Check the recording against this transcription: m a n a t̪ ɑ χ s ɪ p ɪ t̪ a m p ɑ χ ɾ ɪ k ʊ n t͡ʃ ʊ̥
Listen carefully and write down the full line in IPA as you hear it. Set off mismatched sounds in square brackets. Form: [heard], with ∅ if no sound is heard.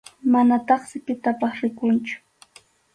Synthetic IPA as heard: m a n a t̪ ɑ χ s ɪ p ɪ t̪ a [∅] p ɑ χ ɾ ɪ k ʊ n t͡ʃ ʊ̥